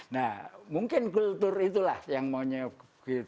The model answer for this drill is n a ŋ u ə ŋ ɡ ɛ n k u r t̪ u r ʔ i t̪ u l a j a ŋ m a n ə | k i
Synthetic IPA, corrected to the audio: n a m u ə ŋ k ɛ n k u l t̪ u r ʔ i t̪ u l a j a ŋ m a ɲ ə | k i